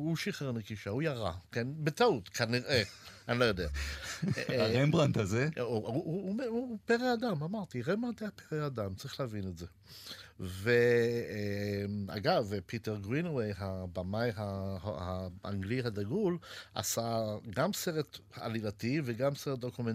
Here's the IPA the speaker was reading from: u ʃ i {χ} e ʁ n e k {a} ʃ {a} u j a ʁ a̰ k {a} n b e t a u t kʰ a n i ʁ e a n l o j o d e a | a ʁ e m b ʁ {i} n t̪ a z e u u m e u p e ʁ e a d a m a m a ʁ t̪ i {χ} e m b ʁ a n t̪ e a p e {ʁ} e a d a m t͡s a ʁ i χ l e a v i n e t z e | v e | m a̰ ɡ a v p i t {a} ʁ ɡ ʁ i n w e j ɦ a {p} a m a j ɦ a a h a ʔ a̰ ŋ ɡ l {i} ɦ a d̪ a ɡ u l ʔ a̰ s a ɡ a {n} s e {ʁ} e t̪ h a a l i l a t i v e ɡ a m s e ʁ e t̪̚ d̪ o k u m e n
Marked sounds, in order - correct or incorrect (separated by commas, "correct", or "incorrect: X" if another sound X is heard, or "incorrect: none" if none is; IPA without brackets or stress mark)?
correct, incorrect: i, correct, incorrect: e, incorrect: a, incorrect: ʁ, correct, incorrect: e, incorrect: b, correct, incorrect: m, correct